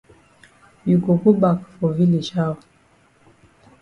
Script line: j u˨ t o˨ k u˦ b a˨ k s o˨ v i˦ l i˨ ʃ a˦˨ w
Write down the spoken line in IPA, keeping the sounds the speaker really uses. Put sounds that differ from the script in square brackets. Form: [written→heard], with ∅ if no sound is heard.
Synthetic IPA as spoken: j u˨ [t→k] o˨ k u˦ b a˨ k [s→f] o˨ v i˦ l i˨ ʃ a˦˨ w